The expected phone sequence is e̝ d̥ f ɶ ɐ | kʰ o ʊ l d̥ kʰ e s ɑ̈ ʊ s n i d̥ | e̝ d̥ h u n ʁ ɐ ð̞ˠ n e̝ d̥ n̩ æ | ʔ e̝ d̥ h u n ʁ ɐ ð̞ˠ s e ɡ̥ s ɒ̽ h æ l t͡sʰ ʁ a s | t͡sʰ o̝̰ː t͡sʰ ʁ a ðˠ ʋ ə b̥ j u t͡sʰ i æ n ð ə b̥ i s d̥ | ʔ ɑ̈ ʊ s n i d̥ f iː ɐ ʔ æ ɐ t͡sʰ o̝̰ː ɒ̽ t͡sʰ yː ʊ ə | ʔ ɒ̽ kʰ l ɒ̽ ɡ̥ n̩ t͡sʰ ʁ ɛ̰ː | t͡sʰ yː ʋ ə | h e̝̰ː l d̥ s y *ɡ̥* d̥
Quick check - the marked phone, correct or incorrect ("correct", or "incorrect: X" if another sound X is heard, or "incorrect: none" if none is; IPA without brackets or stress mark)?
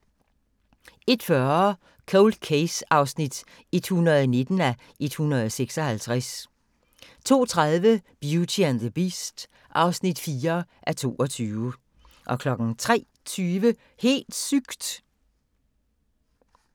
correct